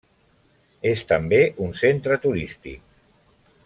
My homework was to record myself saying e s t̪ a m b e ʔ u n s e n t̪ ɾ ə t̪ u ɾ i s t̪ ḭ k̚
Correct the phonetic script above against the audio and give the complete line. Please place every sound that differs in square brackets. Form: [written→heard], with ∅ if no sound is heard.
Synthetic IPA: e s t̪ [a→ə] m b e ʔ u n s e n t̪ ɾ ə t̪ u ɾ i s t̪ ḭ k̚